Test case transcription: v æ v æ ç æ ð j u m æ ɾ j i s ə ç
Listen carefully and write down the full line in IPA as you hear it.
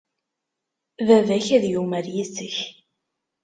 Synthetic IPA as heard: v æ v æ ç æ ð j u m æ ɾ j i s ə ç